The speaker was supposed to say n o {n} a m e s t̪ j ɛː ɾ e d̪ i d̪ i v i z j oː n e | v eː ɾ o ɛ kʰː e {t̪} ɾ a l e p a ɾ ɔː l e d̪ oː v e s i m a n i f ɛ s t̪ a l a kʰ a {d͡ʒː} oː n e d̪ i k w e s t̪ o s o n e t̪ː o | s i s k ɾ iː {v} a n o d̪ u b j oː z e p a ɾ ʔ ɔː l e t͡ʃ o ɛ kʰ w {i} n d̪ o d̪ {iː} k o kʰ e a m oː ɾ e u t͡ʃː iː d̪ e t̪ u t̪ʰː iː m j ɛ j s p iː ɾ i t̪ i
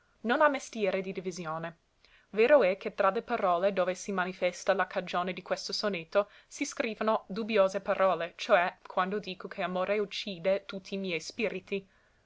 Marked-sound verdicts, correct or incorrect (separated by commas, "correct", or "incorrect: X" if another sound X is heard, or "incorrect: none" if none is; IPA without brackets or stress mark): correct, correct, incorrect: d͡ʒ, correct, incorrect: a, correct